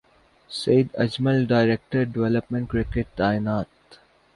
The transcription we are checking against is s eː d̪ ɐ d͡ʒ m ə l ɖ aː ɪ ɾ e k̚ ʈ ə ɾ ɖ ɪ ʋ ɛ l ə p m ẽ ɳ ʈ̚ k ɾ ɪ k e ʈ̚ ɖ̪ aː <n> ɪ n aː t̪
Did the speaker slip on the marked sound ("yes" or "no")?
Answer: yes